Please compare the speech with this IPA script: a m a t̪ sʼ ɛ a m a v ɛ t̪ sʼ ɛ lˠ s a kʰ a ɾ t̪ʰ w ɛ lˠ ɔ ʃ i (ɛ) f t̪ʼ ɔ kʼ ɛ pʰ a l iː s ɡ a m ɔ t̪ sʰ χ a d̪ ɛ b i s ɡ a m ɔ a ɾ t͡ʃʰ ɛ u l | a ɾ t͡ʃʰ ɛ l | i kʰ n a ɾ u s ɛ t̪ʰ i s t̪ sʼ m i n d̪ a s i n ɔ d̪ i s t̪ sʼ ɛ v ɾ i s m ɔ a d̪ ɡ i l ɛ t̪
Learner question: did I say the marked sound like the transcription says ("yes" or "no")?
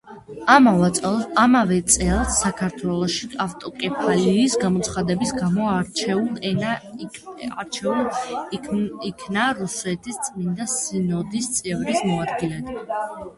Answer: no